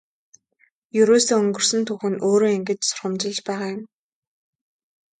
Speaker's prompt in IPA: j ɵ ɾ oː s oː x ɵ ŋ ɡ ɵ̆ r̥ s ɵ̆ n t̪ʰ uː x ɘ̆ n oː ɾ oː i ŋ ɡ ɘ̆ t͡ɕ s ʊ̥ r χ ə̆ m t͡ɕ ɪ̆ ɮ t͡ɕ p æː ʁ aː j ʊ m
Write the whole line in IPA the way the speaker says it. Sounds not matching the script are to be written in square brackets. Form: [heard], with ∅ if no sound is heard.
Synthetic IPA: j ɵ ɾ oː s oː [∅] ɵ ŋ ɡ ɵ̆ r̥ s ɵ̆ n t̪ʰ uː x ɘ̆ n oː ɾ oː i ŋ ɡ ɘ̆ t͡ɕ s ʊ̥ r χ ə̆ m t͡ɕ ɪ̆ ɮ t͡ɕ p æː ʁ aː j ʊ m